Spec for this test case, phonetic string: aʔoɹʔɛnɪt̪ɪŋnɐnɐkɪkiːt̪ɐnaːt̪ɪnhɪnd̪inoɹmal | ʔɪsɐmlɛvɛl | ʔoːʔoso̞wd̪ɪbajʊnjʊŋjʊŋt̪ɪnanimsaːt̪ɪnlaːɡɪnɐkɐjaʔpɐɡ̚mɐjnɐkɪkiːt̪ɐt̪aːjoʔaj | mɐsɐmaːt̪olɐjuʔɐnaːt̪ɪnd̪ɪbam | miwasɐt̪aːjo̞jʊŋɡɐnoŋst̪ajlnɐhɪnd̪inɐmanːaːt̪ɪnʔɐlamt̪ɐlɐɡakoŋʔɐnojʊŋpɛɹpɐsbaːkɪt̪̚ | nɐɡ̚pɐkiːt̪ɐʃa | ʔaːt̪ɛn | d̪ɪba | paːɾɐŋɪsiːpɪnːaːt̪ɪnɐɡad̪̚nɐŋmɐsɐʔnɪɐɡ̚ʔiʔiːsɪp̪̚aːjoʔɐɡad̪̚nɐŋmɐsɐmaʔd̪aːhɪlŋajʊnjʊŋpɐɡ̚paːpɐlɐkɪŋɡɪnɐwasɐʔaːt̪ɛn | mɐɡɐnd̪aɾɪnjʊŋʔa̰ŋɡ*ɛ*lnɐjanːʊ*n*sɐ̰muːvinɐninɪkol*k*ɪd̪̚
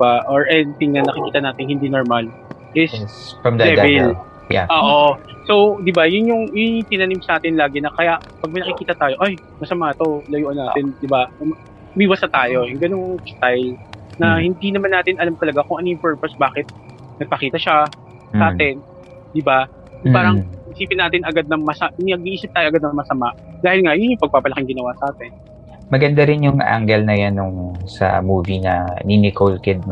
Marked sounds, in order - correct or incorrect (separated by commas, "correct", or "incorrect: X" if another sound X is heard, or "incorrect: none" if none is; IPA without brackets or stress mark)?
correct, incorrect: ŋ, correct